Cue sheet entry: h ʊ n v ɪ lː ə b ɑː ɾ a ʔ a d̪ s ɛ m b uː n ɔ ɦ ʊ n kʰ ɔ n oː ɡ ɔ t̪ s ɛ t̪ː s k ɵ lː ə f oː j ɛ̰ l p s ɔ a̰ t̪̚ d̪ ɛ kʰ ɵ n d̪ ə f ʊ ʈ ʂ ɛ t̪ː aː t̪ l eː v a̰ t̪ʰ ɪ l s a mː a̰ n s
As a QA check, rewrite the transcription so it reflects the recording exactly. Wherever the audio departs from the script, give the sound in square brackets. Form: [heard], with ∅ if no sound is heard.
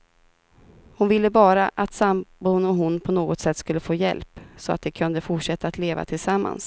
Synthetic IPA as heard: h ʊ n v ɪ lː ə b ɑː ɾ a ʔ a [t̪] s [a] m b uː n ɔ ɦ ʊ n [pʰ] ɔ n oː ɡ ɔ t̪ s ɛ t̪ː s k ɵ lː ə f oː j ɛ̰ l p s ɔ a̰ t̪̚ d̪ ɛ kʰ ɵ n d̪ ə f ʊ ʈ ʂ ɛ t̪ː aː t̪ l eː v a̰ t̪ʰ ɪ l s a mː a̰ n s